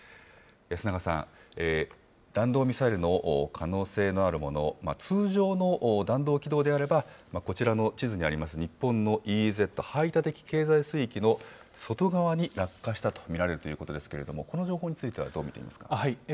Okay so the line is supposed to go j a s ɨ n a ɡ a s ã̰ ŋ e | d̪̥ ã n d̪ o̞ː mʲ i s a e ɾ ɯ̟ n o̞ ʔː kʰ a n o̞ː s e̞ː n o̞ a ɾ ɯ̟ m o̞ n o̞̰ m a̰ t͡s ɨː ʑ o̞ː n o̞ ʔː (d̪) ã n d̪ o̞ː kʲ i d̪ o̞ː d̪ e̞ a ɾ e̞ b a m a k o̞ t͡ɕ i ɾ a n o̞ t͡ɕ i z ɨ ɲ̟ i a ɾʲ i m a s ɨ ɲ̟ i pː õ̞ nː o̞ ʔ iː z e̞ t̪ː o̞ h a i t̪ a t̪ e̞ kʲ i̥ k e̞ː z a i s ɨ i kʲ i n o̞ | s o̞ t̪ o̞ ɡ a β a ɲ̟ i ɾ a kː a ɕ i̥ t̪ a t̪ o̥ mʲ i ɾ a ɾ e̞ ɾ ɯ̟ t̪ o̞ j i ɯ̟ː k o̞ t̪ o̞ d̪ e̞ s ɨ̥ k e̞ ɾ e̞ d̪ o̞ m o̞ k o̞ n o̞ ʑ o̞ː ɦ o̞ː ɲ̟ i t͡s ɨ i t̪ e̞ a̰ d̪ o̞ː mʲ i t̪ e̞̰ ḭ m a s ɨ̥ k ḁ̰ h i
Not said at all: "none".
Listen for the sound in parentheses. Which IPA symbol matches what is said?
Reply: d̪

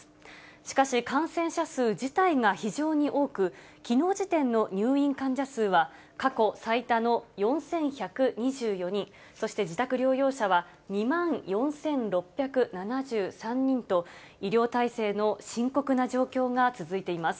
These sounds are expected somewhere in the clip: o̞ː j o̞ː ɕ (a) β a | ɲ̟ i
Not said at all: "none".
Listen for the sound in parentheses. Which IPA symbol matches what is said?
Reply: a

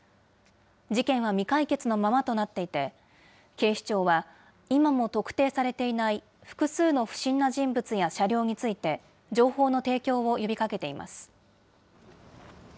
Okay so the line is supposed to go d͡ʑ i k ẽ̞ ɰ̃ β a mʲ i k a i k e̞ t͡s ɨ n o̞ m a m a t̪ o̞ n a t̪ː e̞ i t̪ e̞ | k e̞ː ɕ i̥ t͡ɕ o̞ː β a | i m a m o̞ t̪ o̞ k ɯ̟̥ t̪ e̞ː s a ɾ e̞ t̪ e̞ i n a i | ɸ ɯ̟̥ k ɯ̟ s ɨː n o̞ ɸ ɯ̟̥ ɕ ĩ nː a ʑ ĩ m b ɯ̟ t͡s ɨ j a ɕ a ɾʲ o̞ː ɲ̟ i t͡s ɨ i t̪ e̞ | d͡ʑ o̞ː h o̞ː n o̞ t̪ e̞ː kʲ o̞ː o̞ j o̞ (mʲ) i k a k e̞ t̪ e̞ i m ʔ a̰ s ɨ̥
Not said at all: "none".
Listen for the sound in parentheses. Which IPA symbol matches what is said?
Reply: bʲ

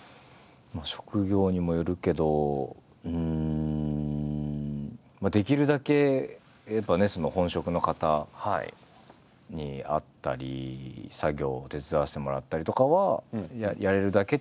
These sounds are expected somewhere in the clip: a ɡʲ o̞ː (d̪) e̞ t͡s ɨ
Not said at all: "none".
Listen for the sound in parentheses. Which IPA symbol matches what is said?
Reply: t̪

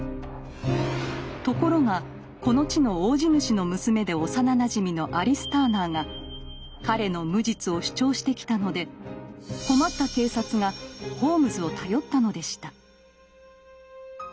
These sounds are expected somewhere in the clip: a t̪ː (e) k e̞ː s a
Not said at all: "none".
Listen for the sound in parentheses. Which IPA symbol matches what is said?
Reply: a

